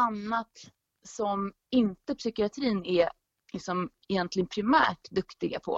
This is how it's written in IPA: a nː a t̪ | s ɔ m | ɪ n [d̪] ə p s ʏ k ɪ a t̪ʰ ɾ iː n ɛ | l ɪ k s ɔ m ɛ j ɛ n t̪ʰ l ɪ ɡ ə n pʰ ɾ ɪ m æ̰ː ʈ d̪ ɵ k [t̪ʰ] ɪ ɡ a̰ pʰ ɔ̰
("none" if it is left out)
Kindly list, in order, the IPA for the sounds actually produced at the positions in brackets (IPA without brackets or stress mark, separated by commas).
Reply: t̪, t̪